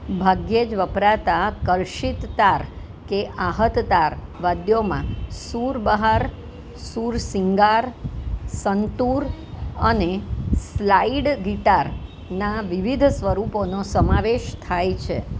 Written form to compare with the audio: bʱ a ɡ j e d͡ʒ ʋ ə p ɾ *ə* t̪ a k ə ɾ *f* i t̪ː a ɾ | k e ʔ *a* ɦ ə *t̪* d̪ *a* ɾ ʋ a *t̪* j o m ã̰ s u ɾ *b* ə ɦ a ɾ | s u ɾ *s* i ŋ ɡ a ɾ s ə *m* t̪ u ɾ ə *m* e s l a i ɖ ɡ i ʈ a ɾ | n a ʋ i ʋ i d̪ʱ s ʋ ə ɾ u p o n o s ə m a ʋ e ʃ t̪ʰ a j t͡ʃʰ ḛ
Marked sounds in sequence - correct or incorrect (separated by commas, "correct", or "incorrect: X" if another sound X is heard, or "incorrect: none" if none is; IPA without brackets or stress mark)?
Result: incorrect: a, incorrect: ʃ, correct, correct, correct, incorrect: d̪, correct, correct, incorrect: n, incorrect: n